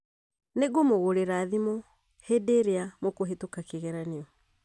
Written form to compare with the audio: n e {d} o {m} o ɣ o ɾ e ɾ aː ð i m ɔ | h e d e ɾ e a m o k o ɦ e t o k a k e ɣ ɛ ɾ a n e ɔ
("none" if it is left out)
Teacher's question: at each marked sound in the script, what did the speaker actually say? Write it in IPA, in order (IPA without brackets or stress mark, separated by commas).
ɡ, m